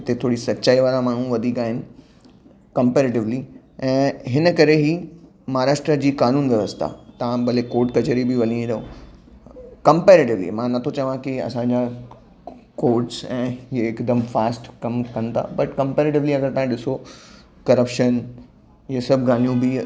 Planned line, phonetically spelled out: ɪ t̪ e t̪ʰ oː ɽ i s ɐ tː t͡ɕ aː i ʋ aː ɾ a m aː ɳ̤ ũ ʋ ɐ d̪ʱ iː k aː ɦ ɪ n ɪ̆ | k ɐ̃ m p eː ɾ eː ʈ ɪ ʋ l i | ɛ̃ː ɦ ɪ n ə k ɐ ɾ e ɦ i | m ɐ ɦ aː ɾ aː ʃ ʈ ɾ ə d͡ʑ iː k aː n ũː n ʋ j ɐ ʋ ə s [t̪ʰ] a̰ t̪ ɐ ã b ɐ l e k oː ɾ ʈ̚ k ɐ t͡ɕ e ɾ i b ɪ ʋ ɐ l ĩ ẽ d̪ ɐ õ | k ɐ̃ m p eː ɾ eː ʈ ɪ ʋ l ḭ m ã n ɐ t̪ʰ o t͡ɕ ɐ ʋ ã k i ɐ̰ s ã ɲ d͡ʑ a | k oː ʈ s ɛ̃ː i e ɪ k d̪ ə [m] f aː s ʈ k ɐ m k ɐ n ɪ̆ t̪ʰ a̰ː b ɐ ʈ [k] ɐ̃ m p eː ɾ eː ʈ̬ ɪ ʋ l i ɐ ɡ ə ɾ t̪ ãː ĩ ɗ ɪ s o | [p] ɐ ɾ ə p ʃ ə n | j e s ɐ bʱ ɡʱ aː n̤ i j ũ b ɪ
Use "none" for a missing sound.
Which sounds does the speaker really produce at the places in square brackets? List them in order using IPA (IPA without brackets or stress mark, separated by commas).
t̪ʰ, m, k, k